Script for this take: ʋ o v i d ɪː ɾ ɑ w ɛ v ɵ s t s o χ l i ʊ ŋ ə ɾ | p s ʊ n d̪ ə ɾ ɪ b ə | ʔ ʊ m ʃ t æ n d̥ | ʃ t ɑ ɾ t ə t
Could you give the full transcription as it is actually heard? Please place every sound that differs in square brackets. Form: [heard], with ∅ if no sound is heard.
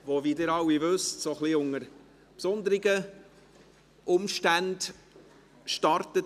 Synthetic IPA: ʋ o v i d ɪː ɾ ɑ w [i] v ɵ s t s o χ l i ʊ ŋ ə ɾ | p s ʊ n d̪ ə ɾ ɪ [ɡ] ə | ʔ ʊ m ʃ t æ n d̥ | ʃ t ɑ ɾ t ə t